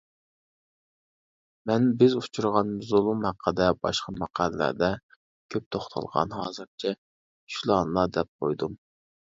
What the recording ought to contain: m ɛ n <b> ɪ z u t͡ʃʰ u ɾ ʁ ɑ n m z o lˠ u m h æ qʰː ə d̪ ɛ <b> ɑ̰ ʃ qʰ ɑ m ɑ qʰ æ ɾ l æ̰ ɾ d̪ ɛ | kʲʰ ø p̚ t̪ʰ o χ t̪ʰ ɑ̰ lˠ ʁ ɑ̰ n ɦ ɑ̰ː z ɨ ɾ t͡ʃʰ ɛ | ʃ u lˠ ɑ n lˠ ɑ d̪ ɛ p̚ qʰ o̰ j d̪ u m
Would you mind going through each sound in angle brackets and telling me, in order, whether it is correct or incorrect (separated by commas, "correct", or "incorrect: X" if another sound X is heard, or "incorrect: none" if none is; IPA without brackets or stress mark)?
correct, correct